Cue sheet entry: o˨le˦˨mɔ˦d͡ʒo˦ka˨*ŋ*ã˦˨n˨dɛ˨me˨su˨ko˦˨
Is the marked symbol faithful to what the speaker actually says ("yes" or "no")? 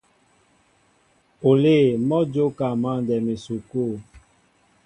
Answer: no